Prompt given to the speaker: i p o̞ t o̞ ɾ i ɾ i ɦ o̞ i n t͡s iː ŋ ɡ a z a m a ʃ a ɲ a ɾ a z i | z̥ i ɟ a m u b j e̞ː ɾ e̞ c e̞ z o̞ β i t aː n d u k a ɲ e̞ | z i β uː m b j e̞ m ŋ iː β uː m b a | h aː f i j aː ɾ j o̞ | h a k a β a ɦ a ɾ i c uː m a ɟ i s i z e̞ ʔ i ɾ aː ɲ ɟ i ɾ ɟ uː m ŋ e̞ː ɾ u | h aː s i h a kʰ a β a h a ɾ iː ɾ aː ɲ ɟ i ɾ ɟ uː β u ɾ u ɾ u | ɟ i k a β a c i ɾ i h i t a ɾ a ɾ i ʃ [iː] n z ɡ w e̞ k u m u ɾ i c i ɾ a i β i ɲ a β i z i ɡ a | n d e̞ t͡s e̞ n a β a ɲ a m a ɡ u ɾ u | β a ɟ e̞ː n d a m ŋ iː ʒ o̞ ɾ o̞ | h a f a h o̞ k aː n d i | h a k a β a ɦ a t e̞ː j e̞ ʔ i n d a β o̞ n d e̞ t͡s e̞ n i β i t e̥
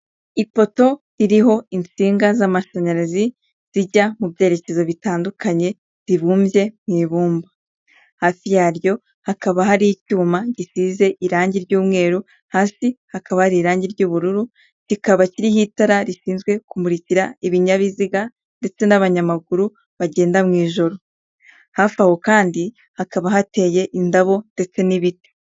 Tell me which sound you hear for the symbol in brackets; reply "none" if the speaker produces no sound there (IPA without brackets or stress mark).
iː